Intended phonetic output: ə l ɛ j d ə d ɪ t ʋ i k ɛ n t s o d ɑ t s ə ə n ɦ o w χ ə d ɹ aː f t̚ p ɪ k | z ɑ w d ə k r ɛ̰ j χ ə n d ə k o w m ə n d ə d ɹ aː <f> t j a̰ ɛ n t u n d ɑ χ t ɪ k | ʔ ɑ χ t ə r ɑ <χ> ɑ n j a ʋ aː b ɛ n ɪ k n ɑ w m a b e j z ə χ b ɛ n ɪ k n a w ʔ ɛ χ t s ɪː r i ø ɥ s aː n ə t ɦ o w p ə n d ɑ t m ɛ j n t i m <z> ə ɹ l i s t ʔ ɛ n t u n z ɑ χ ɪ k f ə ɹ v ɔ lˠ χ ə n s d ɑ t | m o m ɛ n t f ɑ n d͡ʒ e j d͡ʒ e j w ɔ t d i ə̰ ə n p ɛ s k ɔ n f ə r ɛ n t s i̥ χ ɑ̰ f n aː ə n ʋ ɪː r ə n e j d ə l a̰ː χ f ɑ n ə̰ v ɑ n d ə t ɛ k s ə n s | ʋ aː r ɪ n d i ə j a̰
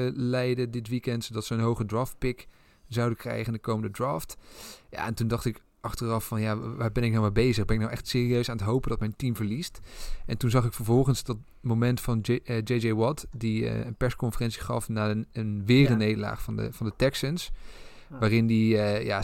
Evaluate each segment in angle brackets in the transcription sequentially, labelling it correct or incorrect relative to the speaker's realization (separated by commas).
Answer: correct, incorrect, incorrect